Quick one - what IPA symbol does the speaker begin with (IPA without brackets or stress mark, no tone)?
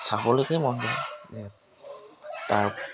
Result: s